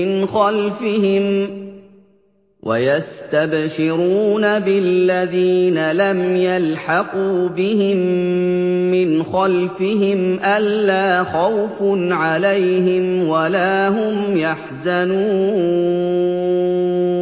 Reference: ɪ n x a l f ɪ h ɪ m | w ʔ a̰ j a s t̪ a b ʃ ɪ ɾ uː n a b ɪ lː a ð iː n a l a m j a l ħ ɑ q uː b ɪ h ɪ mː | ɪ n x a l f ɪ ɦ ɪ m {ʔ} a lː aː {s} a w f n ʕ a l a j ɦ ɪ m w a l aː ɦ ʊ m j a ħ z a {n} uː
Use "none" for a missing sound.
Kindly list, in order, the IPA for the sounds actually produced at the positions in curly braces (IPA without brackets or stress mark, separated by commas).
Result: ʔ, x, n